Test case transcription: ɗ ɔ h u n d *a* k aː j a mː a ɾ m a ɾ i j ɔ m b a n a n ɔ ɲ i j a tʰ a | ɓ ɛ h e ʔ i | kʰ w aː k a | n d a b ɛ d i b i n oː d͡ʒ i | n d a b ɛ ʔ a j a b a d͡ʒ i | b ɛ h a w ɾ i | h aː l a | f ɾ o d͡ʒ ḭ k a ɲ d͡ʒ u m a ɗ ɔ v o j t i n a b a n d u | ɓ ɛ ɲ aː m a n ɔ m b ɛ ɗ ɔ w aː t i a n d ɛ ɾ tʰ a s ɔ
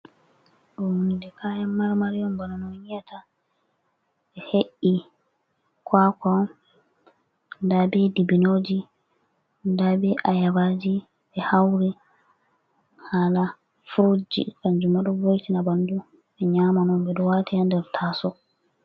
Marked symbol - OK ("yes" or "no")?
no